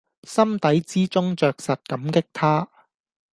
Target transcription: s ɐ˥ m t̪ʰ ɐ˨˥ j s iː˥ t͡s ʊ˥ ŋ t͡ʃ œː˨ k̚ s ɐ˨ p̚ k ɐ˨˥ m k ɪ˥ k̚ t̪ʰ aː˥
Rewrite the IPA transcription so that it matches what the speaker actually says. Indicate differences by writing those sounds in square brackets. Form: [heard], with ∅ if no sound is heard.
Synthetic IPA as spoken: s ɐ˥ m [t̪] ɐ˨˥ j [t͡s] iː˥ t͡s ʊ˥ ŋ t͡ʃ œː˨ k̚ s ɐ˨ [t̚] k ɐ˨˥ m k ɪ˥ k̚ t̪ʰ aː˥

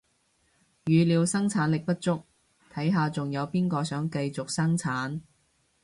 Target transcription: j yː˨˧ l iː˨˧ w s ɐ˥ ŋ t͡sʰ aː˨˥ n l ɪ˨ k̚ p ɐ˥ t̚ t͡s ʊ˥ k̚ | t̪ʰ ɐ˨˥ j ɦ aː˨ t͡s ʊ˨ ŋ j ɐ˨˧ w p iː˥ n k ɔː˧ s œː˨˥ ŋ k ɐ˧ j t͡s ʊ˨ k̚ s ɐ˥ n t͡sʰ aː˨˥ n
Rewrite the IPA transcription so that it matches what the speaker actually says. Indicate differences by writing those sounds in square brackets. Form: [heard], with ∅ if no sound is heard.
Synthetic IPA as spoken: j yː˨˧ l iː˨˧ w s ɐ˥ ŋ t͡sʰ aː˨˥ n l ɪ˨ k̚ p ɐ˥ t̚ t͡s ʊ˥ k̚ | t̪ʰ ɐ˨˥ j ɦ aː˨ t͡s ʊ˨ ŋ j ɐ˨˧ w p iː˥ n k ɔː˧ s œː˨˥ ŋ k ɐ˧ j t͡s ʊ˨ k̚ s ɐ˥ [ŋ] t͡sʰ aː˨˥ n

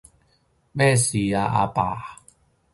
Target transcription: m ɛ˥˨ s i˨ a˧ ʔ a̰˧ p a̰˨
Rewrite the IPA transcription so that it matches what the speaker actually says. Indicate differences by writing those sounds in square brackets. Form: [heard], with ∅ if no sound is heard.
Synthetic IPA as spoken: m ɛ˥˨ s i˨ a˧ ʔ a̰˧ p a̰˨

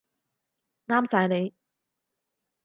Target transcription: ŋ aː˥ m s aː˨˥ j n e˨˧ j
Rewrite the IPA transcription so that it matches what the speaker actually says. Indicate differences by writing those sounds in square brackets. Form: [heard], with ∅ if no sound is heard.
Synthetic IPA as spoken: ŋ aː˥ m s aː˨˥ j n e˨˧ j

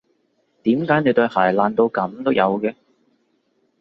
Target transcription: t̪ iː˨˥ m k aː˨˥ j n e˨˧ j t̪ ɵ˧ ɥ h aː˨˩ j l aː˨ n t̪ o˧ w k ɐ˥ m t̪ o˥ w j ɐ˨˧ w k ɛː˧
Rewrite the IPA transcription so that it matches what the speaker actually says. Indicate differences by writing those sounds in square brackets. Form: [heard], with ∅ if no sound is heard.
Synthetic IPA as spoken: t̪ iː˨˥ m k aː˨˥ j n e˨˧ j t̪ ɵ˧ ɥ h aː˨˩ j l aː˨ n t̪ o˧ w k [ɐ˨˥] m t̪ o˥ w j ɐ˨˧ w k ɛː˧

